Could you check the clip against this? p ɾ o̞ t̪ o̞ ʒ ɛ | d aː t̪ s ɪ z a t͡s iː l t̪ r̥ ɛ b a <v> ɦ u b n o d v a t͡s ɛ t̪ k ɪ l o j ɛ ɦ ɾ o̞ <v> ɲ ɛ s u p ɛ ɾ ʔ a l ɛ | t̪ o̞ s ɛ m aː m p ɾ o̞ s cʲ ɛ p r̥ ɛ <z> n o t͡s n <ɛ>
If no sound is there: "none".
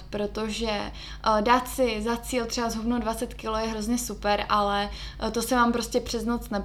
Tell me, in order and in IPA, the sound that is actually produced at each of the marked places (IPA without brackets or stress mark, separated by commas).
z, z, z, ɛ